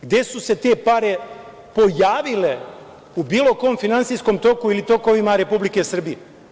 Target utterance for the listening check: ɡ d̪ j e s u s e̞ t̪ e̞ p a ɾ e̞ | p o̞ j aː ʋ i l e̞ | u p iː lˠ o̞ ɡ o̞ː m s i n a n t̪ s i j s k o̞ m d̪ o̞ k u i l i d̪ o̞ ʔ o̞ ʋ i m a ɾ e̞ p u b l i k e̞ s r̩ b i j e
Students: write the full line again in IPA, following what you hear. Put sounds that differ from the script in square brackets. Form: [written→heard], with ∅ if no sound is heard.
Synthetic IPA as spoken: ɡ d̪ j e s u s e̞ t̪ e̞ p a ɾ e̞ | p o̞ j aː ʋ i l e̞ | u [p→b] iː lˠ o̞ [ɡ→k] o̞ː m [s→f] i n a n t̪ s i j s k o̞ m [d̪→t̪] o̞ k u i l i [d̪→t̪] o̞ [ʔ→k] o̞ ʋ i m a ɾ e̞ p u b l i k e̞ s r̩ b i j e

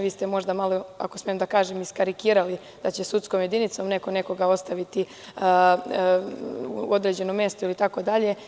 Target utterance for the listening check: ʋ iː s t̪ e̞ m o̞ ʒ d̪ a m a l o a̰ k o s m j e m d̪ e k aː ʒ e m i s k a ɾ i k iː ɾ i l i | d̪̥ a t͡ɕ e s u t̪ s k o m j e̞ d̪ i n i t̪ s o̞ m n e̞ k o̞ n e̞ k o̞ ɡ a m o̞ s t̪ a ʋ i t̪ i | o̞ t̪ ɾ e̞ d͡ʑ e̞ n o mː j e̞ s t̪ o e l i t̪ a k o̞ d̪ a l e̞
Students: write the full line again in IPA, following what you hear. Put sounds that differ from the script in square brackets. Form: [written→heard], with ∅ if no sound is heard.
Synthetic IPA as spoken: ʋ iː s t̪ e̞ m o̞ ʒ d̪ a m a l o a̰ k o s m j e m d̪ [e→a] k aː ʒ e m i s k a ɾ i k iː ɾ [i→a] l i | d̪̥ a t͡ɕ e s u t̪ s k o m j e̞ d̪ i n i t̪ s o̞ m n e̞ k o̞ n e̞ k o̞ ɡ a [m→∅] o̞ s t̪ a ʋ i t̪ i | o̞ [t̪→d̪] ɾ e̞ d͡ʑ e̞ n o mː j e̞ s t̪ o [e→i] l i t̪ a k o̞ d̪ a [l→ʎ] e̞

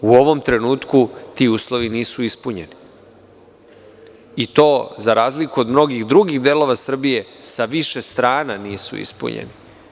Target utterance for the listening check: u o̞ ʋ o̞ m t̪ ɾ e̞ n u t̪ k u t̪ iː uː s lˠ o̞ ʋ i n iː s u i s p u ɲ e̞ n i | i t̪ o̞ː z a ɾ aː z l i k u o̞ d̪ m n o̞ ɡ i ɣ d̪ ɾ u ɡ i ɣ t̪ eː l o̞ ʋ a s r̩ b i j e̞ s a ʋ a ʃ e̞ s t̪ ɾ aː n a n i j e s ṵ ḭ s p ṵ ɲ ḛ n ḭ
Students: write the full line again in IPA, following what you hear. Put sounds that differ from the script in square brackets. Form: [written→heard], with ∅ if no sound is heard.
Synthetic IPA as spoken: u o̞ ʋ o̞ m t̪ ɾ e̞ n [u→uː] t̪ k u t̪ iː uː s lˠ o̞ ʋ i n iː s u i s p u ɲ e̞ n i | i t̪ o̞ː z a ɾ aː z l i k u o̞ d̪ m n o̞ ɡ i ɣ d̪ ɾ u ɡ i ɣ [t̪→d̪] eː l o̞ ʋ a s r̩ b i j e̞ s a ʋ [a→i] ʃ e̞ s t̪ ɾ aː n a n i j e s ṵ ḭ s p ṵ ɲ ḛ n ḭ

